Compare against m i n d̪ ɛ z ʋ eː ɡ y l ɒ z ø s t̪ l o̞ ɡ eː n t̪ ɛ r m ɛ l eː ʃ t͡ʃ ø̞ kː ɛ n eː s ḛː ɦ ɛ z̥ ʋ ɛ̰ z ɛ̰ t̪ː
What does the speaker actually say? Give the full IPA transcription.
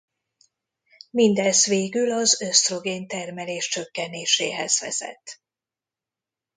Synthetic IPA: m i n d̪ ɛ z ʋ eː ɡ y l ɒ z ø s t̪ r o̞ ɡ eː n t̪ ɛ r m ɛ l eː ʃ t͡ʃ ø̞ kː ɛ n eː ʃ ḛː ɦ ɛ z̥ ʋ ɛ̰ z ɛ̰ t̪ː